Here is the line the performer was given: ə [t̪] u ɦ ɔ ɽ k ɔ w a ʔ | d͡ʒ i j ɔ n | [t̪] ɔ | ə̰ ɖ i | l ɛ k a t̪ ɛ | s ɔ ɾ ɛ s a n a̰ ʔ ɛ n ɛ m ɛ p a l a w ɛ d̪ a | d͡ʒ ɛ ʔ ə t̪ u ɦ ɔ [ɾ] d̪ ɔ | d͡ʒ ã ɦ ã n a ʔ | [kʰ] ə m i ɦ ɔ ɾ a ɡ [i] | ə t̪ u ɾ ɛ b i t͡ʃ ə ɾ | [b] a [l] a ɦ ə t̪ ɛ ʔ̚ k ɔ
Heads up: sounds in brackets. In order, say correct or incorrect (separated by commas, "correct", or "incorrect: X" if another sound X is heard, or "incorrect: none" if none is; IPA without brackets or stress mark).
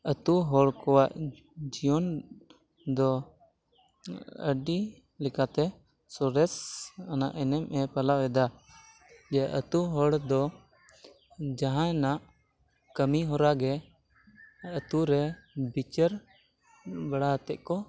correct, incorrect: d̪, incorrect: ɽ, incorrect: k, incorrect: ɛ, correct, incorrect: ɽ